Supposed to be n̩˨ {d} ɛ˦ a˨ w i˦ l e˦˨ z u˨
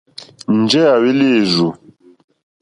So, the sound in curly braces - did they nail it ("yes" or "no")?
no